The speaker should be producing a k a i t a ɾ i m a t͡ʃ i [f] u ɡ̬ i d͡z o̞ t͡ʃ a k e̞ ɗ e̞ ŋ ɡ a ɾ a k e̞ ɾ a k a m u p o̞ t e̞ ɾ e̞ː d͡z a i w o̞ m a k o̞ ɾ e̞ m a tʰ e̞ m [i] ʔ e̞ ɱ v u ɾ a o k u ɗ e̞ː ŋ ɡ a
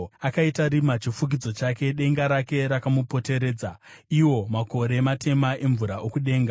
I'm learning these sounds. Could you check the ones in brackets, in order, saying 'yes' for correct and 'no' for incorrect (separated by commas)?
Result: yes, no